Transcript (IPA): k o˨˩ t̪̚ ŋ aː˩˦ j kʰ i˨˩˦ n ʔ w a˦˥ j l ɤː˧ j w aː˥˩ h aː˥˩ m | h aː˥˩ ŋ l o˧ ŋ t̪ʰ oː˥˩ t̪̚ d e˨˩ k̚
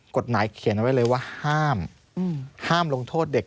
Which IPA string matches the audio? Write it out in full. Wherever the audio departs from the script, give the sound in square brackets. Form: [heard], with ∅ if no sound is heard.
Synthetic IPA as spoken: k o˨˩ t̪̚ [m] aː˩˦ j kʰ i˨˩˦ n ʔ w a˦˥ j l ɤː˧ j w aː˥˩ h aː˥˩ m | h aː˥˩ [m] l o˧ ŋ t̪ʰ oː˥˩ t̪̚ d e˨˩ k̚